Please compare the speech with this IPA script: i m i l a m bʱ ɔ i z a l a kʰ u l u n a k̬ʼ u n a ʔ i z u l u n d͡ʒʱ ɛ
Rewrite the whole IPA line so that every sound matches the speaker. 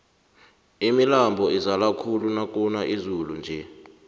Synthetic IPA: i m i l a m bʱ ɔ i z a l a kʰ u l u n a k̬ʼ u n a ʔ i z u l u n d͡ʒʱ ɛ